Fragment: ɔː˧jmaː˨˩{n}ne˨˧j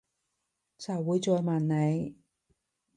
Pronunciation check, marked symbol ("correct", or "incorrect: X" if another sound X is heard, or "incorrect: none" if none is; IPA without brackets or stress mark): correct